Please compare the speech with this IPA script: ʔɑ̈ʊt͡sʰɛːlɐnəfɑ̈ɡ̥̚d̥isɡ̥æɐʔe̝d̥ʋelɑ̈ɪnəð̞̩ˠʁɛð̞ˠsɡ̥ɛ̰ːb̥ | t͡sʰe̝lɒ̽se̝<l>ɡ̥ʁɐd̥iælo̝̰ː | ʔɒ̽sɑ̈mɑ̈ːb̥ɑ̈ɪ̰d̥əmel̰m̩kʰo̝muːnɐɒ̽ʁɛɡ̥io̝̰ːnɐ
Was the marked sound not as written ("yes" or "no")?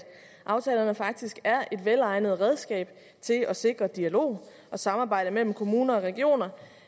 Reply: yes